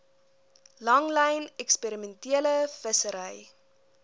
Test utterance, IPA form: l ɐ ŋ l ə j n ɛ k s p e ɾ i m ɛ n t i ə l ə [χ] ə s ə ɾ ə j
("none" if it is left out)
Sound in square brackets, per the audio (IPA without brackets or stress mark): f